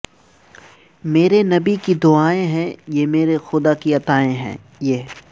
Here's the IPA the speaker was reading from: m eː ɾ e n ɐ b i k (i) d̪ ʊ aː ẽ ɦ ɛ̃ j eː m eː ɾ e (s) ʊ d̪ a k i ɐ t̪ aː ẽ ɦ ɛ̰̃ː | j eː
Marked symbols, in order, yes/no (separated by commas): yes, no